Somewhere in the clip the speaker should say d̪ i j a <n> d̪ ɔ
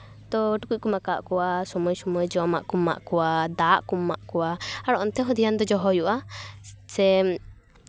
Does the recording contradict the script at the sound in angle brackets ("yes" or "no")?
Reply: no